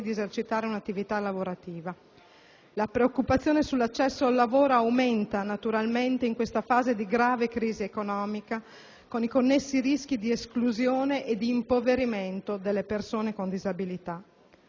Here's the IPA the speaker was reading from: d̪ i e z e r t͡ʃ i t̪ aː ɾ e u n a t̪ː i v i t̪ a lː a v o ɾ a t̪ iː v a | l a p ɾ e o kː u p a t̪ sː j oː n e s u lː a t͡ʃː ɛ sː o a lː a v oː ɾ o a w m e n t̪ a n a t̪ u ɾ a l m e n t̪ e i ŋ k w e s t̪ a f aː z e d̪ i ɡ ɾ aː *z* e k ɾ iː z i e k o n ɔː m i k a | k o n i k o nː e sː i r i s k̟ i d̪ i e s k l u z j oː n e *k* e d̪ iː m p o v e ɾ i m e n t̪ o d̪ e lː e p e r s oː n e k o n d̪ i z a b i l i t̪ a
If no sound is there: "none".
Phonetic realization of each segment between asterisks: v, ʔ

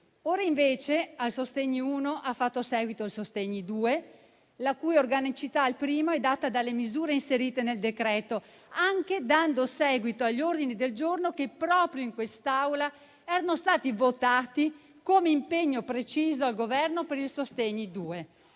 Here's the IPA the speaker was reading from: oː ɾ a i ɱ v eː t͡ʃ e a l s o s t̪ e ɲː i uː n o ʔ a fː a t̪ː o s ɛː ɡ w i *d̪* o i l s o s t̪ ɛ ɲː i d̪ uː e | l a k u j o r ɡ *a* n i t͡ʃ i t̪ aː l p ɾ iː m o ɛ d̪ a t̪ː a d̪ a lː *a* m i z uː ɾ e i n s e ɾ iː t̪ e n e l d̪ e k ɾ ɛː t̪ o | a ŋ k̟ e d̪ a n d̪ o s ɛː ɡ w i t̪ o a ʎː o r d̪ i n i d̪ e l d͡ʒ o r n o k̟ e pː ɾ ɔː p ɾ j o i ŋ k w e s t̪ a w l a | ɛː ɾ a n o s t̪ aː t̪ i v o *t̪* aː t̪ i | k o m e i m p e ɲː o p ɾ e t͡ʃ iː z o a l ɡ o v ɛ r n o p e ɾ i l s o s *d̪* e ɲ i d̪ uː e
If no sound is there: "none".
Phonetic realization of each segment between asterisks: t̪, a, e, t̪, t̪

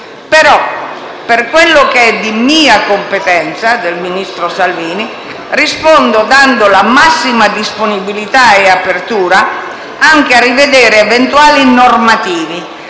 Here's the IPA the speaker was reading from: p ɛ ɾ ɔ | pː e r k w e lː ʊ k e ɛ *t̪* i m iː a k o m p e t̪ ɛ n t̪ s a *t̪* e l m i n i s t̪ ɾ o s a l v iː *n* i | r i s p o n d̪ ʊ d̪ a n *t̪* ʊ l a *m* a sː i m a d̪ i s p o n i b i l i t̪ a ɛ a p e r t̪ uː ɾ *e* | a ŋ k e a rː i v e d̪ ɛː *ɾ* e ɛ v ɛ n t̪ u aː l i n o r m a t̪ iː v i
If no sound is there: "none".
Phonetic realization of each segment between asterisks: d̪, d̪, n, d̪, m, a, ɾ

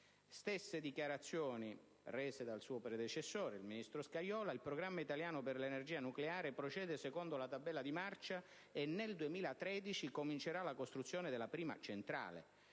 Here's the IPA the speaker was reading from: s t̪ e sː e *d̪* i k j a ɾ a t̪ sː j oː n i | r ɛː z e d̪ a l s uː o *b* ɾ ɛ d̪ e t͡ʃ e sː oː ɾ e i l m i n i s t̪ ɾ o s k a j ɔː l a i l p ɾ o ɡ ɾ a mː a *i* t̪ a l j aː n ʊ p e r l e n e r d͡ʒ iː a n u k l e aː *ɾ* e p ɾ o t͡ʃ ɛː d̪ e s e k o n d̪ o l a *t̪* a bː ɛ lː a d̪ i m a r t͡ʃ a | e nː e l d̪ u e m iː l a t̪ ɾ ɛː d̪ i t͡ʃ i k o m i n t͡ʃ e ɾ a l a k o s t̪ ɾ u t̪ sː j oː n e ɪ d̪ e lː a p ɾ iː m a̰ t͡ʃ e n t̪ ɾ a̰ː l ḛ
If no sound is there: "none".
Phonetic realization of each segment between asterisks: d̪, p, i, ɾ, t̪

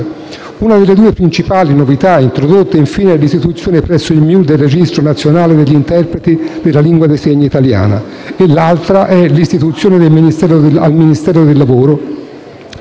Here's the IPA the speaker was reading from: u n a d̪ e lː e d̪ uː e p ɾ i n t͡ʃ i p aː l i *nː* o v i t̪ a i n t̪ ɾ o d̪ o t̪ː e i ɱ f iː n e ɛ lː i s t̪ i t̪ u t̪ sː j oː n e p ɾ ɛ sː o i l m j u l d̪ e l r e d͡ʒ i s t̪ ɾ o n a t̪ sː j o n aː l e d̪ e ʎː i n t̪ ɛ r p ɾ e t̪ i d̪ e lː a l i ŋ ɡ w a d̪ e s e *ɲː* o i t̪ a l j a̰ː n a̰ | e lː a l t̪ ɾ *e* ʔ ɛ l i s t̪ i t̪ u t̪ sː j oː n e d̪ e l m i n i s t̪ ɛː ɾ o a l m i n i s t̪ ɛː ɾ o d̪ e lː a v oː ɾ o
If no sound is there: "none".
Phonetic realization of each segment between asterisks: n, ɲː, a

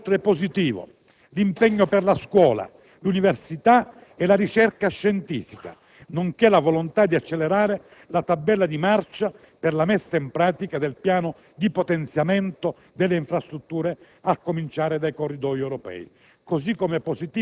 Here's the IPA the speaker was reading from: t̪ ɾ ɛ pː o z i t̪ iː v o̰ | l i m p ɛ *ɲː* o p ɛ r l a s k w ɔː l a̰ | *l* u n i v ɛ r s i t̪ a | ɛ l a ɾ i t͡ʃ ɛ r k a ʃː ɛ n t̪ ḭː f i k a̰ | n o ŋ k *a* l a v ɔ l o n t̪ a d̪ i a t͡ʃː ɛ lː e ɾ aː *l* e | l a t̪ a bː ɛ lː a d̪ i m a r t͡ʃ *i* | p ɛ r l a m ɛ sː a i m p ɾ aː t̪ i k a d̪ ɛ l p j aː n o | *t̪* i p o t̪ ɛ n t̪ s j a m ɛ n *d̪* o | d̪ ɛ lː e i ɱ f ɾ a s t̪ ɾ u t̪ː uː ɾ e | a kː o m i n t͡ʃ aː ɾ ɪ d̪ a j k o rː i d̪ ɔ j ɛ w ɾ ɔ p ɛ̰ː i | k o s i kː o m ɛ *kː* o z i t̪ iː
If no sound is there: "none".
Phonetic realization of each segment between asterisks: ɲː, l, ɛ, ɾ, a, d̪, t̪, pː

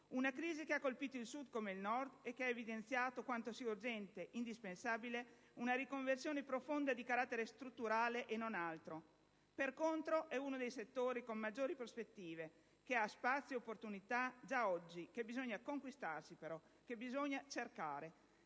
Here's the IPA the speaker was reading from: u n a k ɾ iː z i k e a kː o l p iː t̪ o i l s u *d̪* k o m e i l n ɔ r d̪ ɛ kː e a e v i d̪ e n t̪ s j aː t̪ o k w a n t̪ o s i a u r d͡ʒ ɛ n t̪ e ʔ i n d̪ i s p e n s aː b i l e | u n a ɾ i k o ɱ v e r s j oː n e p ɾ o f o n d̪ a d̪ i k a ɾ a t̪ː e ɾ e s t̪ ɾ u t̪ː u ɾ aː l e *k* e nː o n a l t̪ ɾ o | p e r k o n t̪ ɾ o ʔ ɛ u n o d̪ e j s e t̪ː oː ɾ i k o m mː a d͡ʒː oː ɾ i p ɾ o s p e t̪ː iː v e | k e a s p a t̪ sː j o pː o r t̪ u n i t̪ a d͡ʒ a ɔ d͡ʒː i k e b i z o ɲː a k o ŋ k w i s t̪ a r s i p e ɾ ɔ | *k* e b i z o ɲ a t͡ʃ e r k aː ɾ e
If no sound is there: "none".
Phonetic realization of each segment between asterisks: d̪, ʔ, k

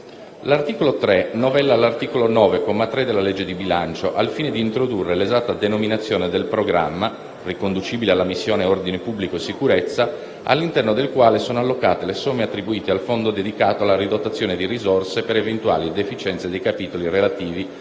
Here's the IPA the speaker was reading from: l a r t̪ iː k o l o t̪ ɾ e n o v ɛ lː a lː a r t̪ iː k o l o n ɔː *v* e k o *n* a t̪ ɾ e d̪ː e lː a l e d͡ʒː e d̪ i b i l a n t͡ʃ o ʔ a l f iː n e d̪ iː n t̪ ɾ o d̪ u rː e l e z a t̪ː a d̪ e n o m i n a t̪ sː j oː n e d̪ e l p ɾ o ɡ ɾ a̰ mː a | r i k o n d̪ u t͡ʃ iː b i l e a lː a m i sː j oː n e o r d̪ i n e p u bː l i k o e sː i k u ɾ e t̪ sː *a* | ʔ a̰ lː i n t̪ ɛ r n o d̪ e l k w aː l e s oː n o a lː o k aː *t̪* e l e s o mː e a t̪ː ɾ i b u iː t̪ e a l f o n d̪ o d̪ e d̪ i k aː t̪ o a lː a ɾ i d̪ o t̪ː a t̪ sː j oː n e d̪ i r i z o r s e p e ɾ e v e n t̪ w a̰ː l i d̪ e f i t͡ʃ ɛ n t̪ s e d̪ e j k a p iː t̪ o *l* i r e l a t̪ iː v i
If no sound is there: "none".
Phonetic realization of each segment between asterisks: v, m, a, t̪, l

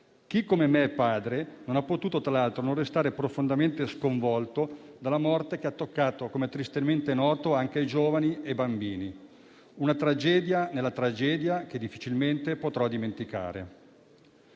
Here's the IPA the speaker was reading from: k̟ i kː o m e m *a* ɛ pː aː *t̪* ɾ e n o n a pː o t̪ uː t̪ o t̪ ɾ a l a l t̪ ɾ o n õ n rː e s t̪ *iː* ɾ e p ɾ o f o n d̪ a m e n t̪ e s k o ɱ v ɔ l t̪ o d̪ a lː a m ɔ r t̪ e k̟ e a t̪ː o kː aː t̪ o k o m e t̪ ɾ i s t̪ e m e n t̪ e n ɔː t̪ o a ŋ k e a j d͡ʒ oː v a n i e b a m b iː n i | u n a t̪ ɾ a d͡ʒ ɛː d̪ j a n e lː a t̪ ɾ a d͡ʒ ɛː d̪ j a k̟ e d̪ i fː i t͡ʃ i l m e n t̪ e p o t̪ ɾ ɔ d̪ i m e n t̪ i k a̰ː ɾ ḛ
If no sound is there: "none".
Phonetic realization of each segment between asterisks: e, d̪, aː

